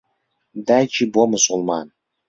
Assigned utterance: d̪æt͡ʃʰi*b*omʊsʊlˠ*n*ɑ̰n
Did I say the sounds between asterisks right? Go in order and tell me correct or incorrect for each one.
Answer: correct, incorrect

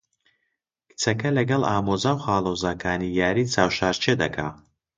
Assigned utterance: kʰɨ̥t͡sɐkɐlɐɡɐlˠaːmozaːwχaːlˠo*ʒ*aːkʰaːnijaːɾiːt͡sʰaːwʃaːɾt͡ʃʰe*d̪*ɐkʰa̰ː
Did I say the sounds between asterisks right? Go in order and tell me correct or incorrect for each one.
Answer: incorrect, correct

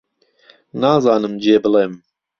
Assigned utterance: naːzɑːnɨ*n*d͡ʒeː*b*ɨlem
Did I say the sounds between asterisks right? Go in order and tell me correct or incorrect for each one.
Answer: incorrect, correct

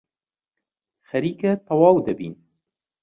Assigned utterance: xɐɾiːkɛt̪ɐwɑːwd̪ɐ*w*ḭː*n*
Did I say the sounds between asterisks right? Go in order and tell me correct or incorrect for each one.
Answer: incorrect, correct

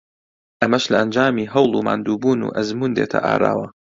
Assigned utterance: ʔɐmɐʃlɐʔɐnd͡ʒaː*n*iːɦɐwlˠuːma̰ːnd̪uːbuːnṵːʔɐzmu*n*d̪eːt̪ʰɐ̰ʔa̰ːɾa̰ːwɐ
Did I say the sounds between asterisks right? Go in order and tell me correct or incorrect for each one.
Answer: incorrect, correct

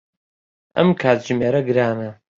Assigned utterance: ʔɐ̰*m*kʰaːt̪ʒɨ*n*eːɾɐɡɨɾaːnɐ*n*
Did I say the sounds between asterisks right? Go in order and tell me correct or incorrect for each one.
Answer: correct, incorrect, incorrect

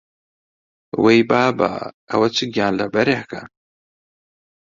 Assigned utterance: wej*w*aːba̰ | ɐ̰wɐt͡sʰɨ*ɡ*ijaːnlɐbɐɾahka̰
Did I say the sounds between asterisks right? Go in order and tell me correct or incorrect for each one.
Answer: incorrect, correct

